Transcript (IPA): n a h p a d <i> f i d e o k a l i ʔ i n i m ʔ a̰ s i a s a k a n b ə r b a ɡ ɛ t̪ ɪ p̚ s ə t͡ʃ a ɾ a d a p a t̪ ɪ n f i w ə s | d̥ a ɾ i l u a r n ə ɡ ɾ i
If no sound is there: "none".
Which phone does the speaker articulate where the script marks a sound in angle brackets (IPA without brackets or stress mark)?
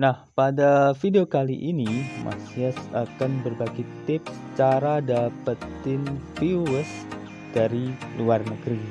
a